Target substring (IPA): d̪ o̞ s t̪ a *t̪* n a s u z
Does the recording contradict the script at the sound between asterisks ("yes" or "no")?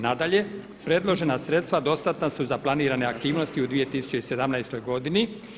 no